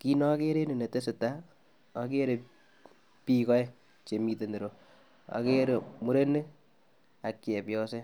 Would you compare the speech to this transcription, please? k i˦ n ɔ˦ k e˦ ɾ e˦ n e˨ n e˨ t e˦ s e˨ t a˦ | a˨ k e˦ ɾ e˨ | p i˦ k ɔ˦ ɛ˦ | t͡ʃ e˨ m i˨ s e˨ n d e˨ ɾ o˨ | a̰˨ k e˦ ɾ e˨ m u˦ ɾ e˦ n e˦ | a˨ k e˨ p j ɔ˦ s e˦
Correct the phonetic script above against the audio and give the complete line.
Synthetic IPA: k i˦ n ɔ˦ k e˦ ɾ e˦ n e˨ n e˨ t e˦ s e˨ t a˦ | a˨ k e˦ ɾ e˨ | p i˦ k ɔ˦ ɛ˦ | t͡ʃ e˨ m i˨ t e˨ n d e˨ ɾ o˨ | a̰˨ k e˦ ɾ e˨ m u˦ ɾ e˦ n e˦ | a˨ k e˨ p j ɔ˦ s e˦